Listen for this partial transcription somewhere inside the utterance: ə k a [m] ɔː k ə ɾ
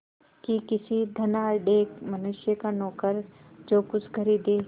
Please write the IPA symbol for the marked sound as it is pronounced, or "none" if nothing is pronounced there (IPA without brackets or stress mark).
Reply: n